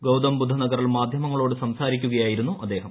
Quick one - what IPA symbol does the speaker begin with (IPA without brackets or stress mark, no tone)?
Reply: ɡ